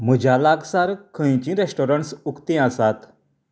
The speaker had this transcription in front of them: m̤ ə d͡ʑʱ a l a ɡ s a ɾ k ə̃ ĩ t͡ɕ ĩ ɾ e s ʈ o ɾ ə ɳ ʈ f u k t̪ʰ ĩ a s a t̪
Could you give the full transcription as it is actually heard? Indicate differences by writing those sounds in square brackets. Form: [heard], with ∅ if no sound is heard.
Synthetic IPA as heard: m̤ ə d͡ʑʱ a l a ɡ s a ɾ [kʰ] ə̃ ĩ t͡ɕ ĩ ɾ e s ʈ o ɾ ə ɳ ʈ [s] u k [t̪] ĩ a s a t̪

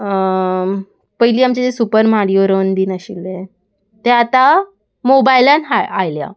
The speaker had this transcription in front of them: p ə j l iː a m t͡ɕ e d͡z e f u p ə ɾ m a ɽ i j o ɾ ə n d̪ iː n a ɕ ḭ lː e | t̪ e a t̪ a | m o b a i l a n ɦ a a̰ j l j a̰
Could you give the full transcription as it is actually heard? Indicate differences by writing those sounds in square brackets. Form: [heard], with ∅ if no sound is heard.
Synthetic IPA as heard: p ə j l iː a m t͡ɕ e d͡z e [s] u p ə ɾ m a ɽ i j o ɾ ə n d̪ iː n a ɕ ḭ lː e | t̪ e a t̪ a | m o b a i l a n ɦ a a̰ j l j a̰

